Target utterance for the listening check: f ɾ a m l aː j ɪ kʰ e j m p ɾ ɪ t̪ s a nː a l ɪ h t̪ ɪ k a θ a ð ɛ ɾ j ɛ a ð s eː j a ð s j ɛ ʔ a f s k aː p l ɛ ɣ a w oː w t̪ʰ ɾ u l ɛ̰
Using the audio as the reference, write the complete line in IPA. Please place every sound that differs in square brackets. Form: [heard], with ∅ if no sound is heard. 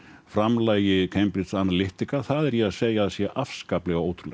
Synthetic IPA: f ɾ a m l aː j ɪ kʰ e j m p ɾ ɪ t̪ s a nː a l ɪ h t̪ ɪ k a θ a ð ɛ ɾ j ɛ a ð s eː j a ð s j ɛ ʔ a f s k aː p l ɛ ɣ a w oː w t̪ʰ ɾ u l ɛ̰